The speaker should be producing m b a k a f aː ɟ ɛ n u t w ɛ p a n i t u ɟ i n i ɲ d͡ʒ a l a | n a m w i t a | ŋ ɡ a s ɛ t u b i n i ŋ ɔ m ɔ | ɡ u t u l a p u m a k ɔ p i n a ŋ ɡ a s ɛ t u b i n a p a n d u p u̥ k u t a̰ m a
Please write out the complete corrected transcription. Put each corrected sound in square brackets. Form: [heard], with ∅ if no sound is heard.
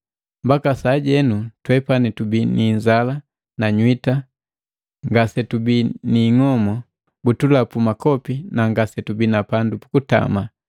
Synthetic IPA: m b a k a [s] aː ɟ ɛ n u t w ɛ p a n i t u [b] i n i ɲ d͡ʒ a l a | n a [ɲ] w i t a | ŋ ɡ a s ɛ t u b i n i ŋ ɔ m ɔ | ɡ u t u l a p u m a k ɔ p i n a ŋ ɡ a s ɛ t u b i n a p a n d u p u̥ k u t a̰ m a